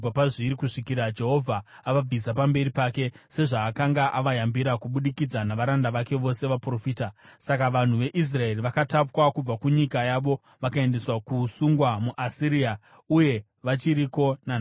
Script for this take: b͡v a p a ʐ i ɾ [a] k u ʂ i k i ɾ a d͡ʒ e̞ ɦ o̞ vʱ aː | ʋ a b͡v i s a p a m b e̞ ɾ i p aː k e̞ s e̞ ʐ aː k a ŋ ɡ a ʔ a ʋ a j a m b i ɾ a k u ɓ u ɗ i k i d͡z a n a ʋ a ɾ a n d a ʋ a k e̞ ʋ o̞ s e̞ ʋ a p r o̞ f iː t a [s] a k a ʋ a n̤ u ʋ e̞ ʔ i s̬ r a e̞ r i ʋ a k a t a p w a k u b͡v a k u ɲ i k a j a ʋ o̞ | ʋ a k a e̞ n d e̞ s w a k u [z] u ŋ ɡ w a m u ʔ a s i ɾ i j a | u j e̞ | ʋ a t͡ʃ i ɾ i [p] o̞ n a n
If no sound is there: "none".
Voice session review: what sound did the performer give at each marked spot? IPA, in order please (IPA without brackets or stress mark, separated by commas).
i, s, s, k